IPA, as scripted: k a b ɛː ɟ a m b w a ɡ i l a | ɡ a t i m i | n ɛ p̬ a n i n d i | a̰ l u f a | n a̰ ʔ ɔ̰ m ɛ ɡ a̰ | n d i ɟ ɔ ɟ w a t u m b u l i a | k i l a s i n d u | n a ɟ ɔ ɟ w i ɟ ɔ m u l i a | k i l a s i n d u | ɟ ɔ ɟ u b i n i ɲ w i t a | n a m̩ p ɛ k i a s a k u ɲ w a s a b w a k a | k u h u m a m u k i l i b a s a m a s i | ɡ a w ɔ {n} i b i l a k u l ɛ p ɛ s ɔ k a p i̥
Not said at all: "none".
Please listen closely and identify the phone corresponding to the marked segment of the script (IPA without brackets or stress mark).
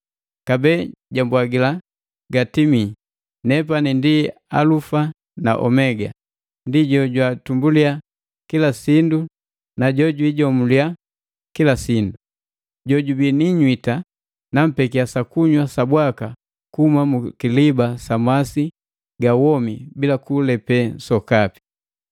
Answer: m